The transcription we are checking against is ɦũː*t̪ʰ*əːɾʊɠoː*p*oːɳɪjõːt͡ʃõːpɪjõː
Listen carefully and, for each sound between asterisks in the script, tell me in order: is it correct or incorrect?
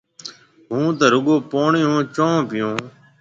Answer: incorrect, correct

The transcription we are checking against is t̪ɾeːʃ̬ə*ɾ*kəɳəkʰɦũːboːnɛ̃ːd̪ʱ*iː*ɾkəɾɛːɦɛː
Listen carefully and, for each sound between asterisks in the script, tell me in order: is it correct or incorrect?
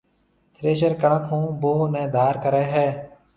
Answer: correct, incorrect

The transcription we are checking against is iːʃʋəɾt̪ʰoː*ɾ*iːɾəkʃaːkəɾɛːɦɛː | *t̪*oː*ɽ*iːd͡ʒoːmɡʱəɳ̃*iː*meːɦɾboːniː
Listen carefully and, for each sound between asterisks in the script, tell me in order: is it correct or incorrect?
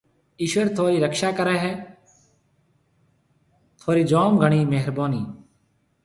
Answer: correct, incorrect, incorrect, correct

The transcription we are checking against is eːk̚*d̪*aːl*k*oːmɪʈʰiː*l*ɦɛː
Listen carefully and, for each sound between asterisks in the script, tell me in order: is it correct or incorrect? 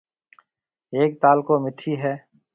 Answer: incorrect, correct, incorrect

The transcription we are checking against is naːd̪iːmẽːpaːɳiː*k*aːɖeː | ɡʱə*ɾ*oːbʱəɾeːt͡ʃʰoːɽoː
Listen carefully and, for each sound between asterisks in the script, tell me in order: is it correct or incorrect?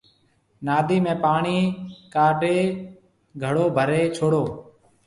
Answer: correct, incorrect

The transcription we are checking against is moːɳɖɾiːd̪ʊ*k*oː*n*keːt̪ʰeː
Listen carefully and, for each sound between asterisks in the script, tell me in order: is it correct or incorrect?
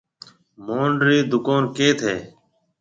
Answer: correct, correct

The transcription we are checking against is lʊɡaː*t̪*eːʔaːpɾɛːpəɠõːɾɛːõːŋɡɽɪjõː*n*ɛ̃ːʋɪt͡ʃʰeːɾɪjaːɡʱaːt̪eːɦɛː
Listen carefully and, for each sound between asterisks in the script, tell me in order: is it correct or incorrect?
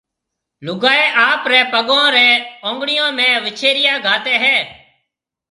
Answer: incorrect, incorrect

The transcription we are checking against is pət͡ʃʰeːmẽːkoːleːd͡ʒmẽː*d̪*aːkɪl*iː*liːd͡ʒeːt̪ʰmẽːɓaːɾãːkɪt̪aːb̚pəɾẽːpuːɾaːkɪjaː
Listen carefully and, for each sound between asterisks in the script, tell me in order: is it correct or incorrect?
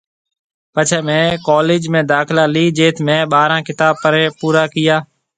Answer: correct, incorrect

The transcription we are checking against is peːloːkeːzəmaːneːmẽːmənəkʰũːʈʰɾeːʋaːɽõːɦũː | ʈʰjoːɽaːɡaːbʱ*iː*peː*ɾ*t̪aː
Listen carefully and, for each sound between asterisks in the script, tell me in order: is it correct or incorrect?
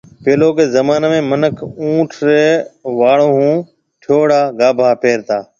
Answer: incorrect, correct

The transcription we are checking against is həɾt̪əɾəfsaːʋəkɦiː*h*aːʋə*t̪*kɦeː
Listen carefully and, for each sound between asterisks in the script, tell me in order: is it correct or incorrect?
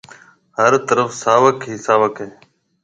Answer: incorrect, incorrect

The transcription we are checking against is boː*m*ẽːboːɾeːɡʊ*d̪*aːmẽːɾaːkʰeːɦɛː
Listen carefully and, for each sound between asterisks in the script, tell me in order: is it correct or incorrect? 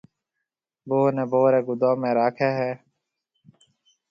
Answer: incorrect, correct

